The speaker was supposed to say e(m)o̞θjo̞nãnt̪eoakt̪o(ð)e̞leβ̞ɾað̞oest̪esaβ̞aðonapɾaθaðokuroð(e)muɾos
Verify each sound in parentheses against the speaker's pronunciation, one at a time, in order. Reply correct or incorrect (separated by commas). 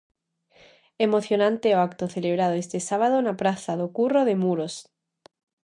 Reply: correct, incorrect, correct